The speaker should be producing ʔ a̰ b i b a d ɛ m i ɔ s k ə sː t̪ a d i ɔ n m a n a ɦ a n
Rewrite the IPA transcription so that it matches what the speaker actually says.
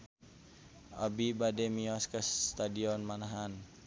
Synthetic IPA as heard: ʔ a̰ b i b a d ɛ m i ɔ s k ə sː t̪ a d i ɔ n m a n a ɦ a n